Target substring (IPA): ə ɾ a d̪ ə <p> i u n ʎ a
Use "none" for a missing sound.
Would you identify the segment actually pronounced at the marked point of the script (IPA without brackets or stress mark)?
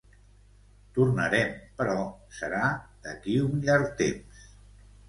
k